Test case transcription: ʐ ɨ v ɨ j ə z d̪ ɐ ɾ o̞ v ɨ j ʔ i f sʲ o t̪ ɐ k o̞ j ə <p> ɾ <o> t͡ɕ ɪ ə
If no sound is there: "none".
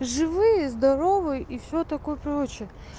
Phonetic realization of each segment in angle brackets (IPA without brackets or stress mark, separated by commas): p, o